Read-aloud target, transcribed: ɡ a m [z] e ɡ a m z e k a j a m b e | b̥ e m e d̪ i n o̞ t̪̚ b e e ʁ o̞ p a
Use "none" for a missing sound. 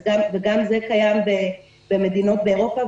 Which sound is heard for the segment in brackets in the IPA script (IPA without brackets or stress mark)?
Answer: v